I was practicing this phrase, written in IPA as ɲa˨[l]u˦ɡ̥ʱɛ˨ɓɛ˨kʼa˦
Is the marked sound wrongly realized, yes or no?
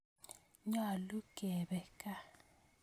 no